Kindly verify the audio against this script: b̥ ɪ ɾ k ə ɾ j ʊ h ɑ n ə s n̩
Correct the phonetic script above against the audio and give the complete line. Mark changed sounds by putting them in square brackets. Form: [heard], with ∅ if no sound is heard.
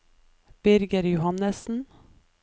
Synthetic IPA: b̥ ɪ ɾ [ɡ] ə ɾ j ʊ h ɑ n ə s n̩